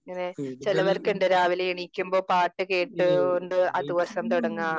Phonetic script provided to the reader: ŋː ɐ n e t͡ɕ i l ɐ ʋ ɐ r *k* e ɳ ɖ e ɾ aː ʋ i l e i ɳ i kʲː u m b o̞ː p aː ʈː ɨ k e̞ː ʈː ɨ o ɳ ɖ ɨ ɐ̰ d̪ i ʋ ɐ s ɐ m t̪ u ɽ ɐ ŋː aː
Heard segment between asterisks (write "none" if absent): k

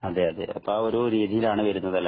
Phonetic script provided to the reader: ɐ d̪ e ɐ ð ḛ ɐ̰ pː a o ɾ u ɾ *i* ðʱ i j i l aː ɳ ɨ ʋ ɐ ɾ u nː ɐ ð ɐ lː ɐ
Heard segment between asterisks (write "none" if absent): iː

